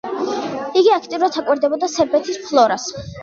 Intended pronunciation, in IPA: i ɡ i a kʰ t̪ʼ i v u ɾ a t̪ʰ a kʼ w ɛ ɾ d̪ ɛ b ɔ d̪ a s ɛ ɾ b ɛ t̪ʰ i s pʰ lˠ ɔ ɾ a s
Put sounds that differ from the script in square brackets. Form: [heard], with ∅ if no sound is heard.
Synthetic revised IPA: i ɡ i a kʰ t̪ʼ i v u ɾ a t̪ʰ a kʼ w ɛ ɾ d̪ ɛ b ɔ d̪ a s ɛ ɾ b ɛ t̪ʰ i s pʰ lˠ ɔ ɾ a s

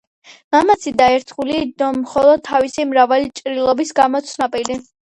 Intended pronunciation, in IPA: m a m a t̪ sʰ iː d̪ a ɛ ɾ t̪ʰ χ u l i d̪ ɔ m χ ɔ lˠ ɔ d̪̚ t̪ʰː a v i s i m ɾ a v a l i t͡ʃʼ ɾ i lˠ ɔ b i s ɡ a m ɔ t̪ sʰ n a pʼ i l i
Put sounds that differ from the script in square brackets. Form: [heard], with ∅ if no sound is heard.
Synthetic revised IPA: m a m a t̪ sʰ [i] d̪ a ɛ ɾ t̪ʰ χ u l i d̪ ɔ m χ ɔ lˠ ɔ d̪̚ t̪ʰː a v i s i m ɾ a v a l i t͡ʃʼ ɾ i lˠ ɔ b i s ɡ a m ɔ t̪ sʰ n a pʼ i l i

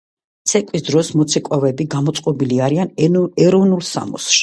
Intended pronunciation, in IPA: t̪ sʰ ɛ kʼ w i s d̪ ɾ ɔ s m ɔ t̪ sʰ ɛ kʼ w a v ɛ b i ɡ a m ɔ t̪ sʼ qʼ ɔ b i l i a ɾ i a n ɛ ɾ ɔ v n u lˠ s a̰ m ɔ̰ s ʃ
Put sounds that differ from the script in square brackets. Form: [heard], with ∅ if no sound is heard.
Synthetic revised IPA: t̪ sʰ ɛ kʼ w i s d̪ ɾ ɔ s m ɔ t̪ sʰ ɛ kʼ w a v ɛ b i ɡ a m ɔ t̪ sʼ qʼ ɔ b i l i a ɾ i a n ɛ ɾ ɔ v n u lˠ s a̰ m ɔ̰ s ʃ

